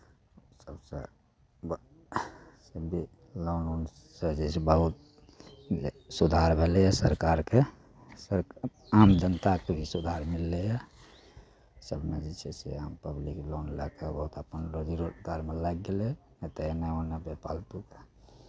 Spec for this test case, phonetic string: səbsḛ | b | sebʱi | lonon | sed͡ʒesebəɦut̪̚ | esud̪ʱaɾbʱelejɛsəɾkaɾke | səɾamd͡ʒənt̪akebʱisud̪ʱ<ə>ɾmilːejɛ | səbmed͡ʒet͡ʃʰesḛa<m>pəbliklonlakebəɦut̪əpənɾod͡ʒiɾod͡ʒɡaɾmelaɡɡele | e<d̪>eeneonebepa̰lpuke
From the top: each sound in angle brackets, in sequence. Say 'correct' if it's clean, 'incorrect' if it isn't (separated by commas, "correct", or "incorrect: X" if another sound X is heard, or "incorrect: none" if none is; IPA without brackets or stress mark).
incorrect: a, correct, incorrect: t̪